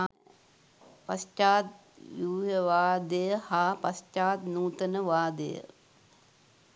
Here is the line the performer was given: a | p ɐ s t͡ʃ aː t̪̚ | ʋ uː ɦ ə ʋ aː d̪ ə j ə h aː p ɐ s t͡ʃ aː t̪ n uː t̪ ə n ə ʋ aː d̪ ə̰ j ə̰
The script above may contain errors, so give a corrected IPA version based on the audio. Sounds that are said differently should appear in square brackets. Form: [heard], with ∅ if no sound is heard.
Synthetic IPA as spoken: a | p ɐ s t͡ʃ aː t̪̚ | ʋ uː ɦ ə ʋ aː d̪ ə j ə h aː p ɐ s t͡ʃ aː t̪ n uː t̪ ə n ə ʋ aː d̪ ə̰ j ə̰

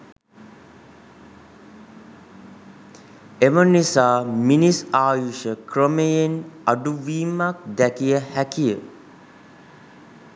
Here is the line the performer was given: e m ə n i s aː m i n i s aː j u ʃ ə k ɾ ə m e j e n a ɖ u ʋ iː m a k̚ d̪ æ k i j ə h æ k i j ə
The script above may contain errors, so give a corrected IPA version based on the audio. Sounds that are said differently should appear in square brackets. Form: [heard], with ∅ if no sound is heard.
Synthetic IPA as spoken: e m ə n i s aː m i n i s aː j u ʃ ə k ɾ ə m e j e n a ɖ u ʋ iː m a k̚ d̪ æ k i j ə h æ k i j ə

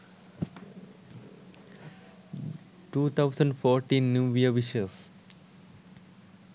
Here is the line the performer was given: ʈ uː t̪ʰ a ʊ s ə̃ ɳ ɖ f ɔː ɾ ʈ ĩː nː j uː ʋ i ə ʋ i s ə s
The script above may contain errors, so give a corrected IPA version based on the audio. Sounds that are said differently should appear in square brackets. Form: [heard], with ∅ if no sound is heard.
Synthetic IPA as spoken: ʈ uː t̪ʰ a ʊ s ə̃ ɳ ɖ f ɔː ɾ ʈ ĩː nː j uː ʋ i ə ʋ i [ʃ] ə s

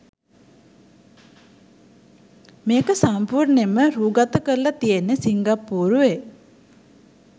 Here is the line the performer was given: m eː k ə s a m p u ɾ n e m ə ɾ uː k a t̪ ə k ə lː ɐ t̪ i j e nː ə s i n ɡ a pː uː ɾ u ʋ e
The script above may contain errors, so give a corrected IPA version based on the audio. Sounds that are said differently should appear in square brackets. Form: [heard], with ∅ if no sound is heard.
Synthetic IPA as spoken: m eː k ə s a m p u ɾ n e m ə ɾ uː [ɡ] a t̪ ə k ə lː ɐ t̪ i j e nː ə s i [ŋ] ɡ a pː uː ɾ u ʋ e

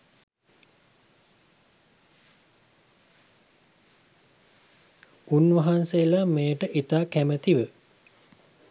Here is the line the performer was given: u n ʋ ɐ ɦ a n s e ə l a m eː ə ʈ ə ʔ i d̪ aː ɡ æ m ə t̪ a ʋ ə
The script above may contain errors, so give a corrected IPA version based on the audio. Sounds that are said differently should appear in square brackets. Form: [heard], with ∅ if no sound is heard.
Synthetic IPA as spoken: u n ʋ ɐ ɦ a n s e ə l a m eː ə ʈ ə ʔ i [t̪] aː [k] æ m ə t̪ [i] ʋ ə

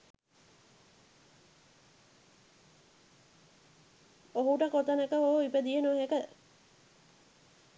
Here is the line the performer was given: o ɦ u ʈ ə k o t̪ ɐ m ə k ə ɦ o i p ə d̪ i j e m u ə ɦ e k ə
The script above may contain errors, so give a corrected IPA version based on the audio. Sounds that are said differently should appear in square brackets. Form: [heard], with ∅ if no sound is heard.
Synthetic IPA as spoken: o ɦ u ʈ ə k o t̪ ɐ [n] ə k ə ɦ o i p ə d̪ i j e [n] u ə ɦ e k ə

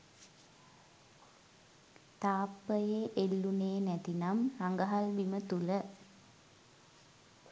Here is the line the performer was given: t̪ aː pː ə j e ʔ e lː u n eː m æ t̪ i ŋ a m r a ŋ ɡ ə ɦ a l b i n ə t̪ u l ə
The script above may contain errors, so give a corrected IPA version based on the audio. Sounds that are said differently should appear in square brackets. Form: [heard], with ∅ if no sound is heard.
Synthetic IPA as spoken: t̪ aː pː ə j e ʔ e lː u n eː [n] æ t̪ i [n] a m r a ŋ ɡ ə ɦ a l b i [m] ə t̪ u l ə

